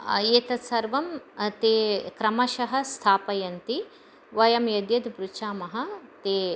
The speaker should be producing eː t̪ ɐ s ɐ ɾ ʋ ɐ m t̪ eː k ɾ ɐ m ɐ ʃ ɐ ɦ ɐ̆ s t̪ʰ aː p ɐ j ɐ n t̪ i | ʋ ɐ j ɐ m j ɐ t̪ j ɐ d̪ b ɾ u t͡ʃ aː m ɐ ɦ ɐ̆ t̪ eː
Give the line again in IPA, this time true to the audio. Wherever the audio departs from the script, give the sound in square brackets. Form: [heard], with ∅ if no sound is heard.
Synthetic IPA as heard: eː t̪ ɐ s ɐ ɾ ʋ ɐ m t̪ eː k ɾ ɐ m ɐ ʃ ɐ ɦ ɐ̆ s t̪ʰ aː p ɐ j ɐ n t̪ i | ʋ ɐ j ɐ m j ɐ [d̪] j ɐ d̪ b ɾ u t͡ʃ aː m ɐ ɦ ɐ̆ t̪ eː